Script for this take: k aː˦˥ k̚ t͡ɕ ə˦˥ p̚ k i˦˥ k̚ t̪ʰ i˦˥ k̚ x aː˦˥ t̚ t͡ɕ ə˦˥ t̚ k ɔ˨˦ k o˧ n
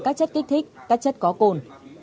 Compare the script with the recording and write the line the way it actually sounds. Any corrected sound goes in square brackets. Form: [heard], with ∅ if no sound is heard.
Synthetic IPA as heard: k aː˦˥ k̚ t͡ɕ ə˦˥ [t̚] k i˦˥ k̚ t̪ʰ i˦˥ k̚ [k] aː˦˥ [k̚] t͡ɕ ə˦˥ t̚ k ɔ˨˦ k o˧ n